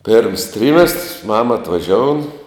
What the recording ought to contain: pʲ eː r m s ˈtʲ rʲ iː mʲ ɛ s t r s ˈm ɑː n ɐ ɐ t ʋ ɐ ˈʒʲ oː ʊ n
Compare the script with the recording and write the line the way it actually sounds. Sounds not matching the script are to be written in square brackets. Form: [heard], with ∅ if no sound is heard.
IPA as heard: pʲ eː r m s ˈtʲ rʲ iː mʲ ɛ s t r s ˈm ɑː [m] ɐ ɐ t ʋ ɐ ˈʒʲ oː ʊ n